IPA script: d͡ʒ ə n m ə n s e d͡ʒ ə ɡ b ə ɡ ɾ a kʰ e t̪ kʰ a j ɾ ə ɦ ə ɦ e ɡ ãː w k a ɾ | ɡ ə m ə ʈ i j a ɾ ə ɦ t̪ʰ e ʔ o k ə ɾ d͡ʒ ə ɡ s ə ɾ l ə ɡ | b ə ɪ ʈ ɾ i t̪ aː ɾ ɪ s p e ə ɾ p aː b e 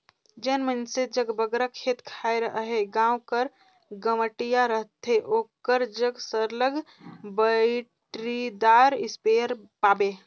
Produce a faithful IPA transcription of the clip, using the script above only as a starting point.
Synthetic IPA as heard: d͡ʒ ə n m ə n s e d͡ʒ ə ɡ b ə ɡ ɾ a kʰ e t̪ kʰ a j ɾ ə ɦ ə ɦ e ɡ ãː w k ə ɾ | ɡ ə m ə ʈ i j a ɾ ə ɦ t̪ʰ e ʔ o k ə ɾ d͡ʒ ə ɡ s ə ɾ l ə ɡ | b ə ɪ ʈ ɾ i d̪ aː ɾ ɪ s p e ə ɾ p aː b e